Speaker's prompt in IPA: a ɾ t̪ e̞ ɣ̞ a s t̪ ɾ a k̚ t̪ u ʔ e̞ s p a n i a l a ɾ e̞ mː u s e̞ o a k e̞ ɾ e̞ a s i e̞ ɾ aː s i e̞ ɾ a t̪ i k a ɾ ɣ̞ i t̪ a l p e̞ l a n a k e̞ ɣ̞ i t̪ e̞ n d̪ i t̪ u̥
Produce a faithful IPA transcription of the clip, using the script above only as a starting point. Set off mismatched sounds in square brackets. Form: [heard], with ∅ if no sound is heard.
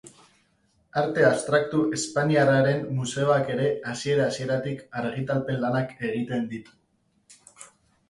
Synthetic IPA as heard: a ɾ t̪ e̞ [∅] a s t̪ ɾ a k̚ t̪ u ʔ e̞ s p a n i a [r] a ɾ e̞ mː u s e̞ o a k e̞ ɾ e̞ a s i e̞ ɾ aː s i e̞ ɾ a t̪ i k a ɾ ɣ̞ i t̪ a l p e̞ l a n a k e̞ ɣ̞ i t̪ e̞ n d̪ i t̪ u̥